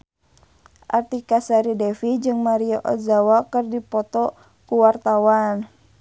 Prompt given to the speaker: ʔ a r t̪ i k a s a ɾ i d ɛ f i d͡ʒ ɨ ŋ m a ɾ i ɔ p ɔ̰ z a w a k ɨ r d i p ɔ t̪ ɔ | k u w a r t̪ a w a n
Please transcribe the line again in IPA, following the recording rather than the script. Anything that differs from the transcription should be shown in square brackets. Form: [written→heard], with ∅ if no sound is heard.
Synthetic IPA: ʔ a r t̪ i k a s a ɾ i d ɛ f i d͡ʒ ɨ ŋ m a ɾ i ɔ [p→ʔ] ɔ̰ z a w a k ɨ r d i p ɔ t̪ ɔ | k u w a r t̪ a w a n

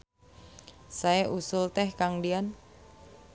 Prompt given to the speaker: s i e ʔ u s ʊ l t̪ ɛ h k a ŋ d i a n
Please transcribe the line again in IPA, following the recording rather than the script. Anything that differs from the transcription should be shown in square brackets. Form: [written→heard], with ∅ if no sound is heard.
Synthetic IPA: s [i→a] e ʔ u s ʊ l t̪ ɛ h k a ŋ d i a n

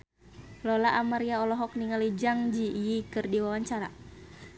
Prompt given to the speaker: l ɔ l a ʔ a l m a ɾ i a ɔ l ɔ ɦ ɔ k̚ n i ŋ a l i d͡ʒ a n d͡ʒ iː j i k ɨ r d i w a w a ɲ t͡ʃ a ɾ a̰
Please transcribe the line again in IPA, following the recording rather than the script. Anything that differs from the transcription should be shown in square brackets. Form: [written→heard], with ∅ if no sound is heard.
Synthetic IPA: l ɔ l a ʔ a [l→∅] m a ɾ i a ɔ l ɔ ɦ ɔ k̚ n i ŋ a l i d͡ʒ a [n→ŋ] d͡ʒ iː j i k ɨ r d i w a w a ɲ t͡ʃ a ɾ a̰

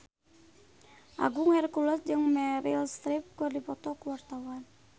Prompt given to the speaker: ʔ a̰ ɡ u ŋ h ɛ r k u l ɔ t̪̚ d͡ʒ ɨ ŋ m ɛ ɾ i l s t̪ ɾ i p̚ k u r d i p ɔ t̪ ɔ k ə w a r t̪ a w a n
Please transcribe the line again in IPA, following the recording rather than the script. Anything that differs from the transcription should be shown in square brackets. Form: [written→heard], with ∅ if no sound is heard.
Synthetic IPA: ʔ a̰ ɡ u ŋ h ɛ r k u l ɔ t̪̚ d͡ʒ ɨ ŋ m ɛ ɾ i l s t̪ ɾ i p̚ k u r d i p ɔ t̪ ɔ k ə w a r t̪ a w a n

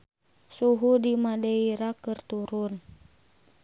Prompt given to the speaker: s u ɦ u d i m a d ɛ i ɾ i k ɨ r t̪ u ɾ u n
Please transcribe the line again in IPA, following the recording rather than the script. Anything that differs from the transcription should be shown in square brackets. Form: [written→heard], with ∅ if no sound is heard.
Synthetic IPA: s u ɦ u d i m a d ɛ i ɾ [i→a] k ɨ r t̪ u ɾ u n

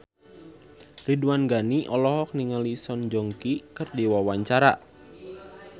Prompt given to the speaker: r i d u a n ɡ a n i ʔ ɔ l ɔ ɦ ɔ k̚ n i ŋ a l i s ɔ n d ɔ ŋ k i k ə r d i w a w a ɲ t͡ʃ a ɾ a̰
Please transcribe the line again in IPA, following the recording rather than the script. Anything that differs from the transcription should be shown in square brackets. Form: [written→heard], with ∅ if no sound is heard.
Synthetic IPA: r i d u a n ɡ a n i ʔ ɔ l ɔ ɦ ɔ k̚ n i ŋ a l i s ɔ n [d→d͡ʒ] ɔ ŋ k i k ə r d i w a w a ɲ t͡ʃ a ɾ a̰

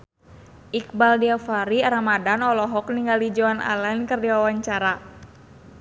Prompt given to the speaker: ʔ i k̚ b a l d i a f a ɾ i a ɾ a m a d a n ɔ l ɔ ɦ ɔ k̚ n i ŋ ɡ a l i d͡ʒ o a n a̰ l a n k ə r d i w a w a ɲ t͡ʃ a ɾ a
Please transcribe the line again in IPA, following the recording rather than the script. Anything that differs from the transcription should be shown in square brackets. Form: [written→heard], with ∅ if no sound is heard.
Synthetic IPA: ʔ i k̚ b a l d i a f a ɾ i a ɾ a m a d a n ɔ l ɔ ɦ ɔ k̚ n i ŋ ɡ a l i d͡ʒ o a n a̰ l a n k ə r d i w a w a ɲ t͡ʃ a ɾ a

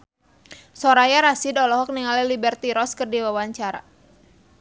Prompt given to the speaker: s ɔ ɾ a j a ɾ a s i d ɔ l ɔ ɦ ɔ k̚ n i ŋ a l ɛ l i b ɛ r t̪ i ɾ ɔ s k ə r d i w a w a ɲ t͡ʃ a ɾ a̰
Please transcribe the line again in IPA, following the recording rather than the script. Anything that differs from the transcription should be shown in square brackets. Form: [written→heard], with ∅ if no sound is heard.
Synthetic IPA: s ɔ ɾ a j a ɾ a s i d ɔ l ɔ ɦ ɔ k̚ n i ŋ a l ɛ l i b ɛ r t̪ i ɾ ɔ s k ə r d i w a w a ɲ t͡ʃ a ɾ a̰

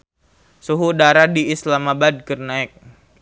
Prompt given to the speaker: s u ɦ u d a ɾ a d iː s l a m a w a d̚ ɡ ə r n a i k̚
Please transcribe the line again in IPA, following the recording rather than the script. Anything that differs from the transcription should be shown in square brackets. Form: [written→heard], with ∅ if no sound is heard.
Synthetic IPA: s u ɦ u d a ɾ a d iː s l a m a [w→b] a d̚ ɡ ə r n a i k̚

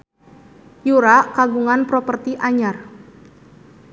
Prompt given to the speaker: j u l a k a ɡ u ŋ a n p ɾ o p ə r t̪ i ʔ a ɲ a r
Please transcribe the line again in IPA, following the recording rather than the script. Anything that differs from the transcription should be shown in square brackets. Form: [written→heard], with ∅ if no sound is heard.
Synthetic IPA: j u [l→ɾ] a k a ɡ u ŋ a n p ɾ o p ə r t̪ i ʔ a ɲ a r

